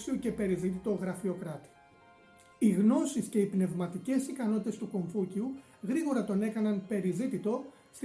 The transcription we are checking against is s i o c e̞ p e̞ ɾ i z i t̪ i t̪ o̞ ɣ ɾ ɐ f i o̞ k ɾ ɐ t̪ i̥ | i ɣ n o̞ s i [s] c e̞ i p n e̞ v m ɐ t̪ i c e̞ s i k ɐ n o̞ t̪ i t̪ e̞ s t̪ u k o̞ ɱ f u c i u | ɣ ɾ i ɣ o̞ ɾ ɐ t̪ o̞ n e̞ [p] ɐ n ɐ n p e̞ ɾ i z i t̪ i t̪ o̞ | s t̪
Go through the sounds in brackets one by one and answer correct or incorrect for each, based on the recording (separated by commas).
correct, incorrect